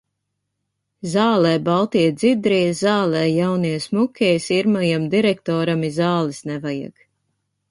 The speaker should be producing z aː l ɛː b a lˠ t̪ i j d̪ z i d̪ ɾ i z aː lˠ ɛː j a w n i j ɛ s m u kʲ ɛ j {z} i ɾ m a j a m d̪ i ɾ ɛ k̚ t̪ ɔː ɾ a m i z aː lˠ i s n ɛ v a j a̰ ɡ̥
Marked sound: incorrect: s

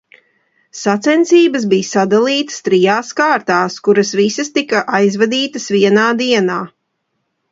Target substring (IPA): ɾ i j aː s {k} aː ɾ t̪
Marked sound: correct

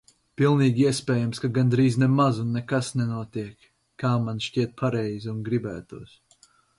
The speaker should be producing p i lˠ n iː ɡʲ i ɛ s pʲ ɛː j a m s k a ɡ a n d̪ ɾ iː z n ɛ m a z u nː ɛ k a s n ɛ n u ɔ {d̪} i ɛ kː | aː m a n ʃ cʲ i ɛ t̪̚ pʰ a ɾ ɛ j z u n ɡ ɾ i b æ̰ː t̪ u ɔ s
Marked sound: incorrect: t̪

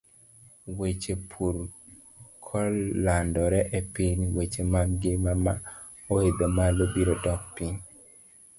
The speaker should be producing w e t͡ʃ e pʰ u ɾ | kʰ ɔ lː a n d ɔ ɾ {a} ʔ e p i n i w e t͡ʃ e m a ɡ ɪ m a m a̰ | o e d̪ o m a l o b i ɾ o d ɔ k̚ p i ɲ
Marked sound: incorrect: ɛ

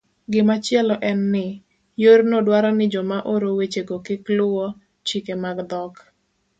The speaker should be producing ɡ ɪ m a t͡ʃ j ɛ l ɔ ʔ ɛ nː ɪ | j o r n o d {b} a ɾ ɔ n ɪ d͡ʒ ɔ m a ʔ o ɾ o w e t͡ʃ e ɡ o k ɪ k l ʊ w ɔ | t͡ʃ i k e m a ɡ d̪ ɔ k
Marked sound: incorrect: w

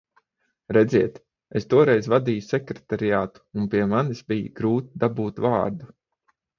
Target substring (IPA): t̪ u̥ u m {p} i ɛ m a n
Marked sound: correct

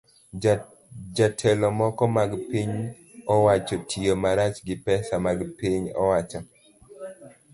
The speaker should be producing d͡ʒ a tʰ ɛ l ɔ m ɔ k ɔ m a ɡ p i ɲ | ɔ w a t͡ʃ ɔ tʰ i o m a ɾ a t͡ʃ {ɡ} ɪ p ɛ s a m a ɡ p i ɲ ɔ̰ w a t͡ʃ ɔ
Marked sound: correct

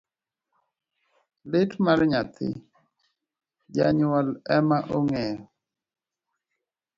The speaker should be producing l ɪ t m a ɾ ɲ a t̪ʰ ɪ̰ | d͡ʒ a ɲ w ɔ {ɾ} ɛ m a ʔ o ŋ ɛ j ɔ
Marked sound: incorrect: l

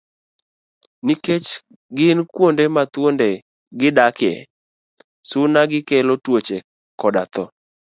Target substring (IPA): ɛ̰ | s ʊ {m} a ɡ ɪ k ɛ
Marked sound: incorrect: n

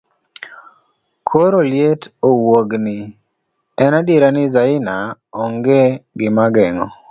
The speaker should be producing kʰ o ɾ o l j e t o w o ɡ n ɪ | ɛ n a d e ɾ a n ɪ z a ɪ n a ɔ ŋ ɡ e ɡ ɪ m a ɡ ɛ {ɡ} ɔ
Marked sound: incorrect: ŋ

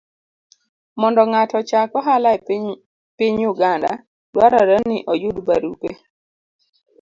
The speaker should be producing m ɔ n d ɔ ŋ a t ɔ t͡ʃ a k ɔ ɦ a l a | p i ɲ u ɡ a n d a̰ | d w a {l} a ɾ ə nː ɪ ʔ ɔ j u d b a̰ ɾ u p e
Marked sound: incorrect: ɾ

